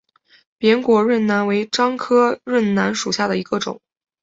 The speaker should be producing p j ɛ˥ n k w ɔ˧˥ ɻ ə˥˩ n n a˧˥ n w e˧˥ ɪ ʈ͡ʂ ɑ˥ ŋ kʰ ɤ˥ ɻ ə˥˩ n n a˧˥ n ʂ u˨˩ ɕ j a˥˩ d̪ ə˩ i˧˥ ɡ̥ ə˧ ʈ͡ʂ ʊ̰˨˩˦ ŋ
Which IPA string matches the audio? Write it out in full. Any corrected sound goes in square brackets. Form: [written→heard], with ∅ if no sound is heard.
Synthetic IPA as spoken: p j [ɛ˥→ɛ˧˥] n k w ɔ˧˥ ɻ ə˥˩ n n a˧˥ n w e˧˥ ɪ ʈ͡ʂ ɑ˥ ŋ kʰ ɤ˥ ɻ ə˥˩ n n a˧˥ n ʂ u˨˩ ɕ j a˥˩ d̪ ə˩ i˧˥ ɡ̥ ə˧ ʈ͡ʂ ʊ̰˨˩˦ ŋ